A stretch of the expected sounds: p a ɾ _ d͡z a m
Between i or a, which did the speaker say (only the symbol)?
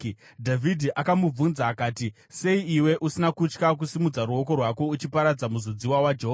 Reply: a